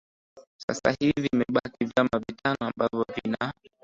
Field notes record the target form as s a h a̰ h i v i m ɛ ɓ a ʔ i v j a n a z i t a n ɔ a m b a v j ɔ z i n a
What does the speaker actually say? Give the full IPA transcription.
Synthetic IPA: s a s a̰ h i v i m ɛ ɓ a k i v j a m a v i t a n ɔ a m b a v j ɔ v i n a

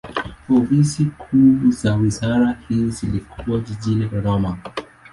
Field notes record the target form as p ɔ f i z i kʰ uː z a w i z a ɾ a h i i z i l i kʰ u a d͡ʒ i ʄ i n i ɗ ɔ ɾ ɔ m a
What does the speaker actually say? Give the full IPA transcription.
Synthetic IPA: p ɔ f i s i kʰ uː z a w i z a ɾ a h i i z i l i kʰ u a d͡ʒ i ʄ i n i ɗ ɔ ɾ ɔ m a

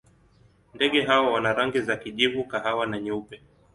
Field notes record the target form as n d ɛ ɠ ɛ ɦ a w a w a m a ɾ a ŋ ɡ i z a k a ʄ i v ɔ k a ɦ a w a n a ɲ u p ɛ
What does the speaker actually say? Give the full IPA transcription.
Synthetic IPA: n d ɛ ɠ ɛ ɦ a w a w a n a ɾ a ŋ ɡ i z a k i ʄ i v u k a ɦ a w a n a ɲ u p ɛ

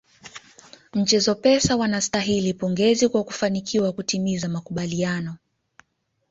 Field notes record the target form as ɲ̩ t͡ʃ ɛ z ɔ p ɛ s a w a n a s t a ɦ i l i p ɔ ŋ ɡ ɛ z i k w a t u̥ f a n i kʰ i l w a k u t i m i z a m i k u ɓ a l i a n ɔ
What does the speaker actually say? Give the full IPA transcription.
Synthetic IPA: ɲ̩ t͡ʃ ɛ z ɔ p ɛ s a w a n a s t a ɦ i l i p ɔ ŋ ɡ ɛ z i k w a k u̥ f a n i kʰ i w a k u t i m i z a m a k u ɓ a l i a n ɔ

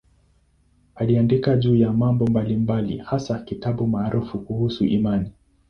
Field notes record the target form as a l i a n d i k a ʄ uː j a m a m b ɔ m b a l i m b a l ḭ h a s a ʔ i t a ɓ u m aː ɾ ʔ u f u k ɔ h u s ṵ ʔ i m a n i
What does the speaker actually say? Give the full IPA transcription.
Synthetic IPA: a l i a n d i k a ʄ uː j a m a m b ɔ m b a l i m b a l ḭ h a s a k i t a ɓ u m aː ɾ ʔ u f u k u h u s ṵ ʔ i m a n i

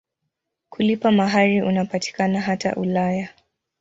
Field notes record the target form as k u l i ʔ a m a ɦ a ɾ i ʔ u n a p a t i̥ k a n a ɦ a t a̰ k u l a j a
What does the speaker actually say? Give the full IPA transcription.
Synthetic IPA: k u l i p a m a ɦ a ɾ i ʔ u n a p a t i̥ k a n a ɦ a t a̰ ʔ u l a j a

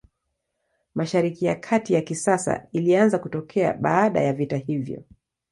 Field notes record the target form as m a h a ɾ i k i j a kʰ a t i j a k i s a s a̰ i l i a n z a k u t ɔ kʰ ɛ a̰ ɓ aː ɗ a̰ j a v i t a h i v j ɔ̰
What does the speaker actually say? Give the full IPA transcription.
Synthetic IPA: m a ʃ a ɾ i k i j a kʰ a t i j a k i s a s a̰ i l i a n z a k u t ɔ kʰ ɛ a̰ ɓ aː ɗ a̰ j a v i t a h i v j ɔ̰

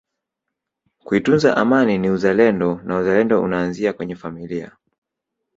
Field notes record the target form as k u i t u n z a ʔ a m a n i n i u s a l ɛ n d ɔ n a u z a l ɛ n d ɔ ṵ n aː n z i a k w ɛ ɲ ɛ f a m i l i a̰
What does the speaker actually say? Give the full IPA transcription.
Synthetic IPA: k u i t u n z a ʔ a m a n i n i u z a l ɛ n d ɔ n a u z a l ɛ n d ɔ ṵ n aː n z i a k w ɛ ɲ ɛ f a m i l i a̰

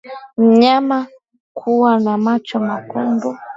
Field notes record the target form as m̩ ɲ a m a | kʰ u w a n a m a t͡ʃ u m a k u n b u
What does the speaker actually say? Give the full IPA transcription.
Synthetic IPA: m̩ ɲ a m a | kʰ u w a n a m a t͡ʃ ɔ m a k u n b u

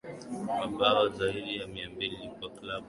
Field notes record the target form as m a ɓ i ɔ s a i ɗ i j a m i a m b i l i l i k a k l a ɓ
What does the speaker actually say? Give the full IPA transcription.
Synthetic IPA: m a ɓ a ɔ z a i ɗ i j a m i a m b i l i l i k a k l a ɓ

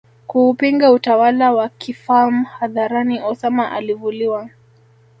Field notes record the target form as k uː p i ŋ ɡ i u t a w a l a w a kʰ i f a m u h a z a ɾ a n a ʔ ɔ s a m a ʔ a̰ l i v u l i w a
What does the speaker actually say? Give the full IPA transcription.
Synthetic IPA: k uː p i ŋ ɡ a u t a w a l a w a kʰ i f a m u h a ð a ɾ a n i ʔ ɔ s a m a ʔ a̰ l i v u l i w a

